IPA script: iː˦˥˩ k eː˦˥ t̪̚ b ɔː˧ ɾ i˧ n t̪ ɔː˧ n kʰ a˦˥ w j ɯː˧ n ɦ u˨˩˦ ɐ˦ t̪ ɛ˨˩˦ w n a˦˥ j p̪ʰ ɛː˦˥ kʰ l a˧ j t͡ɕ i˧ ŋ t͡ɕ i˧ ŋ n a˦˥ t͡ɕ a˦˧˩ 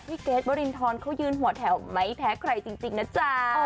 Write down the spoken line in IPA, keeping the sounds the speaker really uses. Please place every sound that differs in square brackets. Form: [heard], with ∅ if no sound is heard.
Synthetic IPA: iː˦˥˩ k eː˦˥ t̪̚ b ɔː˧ ɾ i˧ n [t̪ʰ] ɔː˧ n kʰ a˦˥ w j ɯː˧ n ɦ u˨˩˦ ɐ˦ [t̪ʰ] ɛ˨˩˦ w [m] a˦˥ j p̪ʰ ɛː˦˥ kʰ [ɾ] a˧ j t͡ɕ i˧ ŋ t͡ɕ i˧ ŋ n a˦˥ t͡ɕ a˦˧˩